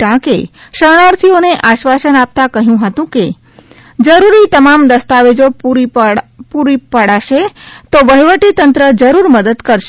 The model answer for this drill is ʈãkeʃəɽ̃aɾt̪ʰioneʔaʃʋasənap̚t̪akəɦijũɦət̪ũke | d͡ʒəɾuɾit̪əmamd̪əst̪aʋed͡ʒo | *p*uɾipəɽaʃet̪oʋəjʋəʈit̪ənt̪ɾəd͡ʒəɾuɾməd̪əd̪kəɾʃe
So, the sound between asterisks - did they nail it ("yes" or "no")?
yes